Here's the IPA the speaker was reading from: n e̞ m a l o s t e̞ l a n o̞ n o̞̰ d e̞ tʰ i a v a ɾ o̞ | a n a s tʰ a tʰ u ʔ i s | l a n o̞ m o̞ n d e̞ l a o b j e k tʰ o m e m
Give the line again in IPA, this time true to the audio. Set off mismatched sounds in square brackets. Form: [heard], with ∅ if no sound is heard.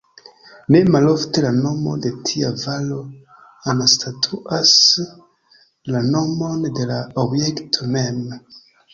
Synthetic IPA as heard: n e̞ m a l o [f] t e̞ l a n o̞ [m] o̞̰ d e̞ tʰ i a v a [l] o̞ | a n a s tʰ a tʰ u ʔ [a] s | l a n o̞ m o̞ n d e̞ l a o b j e k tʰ o m e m